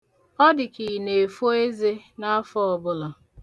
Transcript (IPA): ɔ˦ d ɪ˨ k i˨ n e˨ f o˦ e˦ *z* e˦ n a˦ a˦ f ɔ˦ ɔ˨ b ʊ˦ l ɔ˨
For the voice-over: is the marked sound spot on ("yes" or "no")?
yes